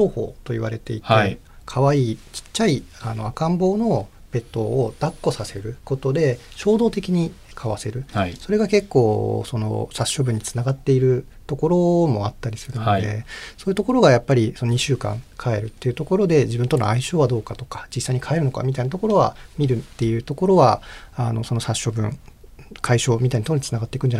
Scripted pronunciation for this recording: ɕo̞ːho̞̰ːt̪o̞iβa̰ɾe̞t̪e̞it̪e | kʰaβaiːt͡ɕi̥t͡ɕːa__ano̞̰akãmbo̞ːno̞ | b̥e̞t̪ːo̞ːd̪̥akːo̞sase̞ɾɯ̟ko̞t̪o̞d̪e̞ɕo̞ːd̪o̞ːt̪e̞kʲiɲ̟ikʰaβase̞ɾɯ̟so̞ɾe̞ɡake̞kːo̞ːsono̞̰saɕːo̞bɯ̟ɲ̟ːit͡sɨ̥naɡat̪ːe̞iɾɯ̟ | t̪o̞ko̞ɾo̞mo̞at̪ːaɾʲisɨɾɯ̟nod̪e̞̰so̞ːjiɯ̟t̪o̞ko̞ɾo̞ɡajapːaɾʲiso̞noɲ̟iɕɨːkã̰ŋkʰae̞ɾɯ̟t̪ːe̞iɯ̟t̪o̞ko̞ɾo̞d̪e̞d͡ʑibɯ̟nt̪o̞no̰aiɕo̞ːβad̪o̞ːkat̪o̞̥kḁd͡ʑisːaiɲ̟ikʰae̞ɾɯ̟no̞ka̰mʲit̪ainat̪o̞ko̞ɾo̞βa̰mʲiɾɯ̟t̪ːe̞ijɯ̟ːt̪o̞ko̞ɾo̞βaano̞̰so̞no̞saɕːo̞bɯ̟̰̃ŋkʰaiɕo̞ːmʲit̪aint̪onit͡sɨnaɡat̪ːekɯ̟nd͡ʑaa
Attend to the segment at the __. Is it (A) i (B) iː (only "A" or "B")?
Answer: A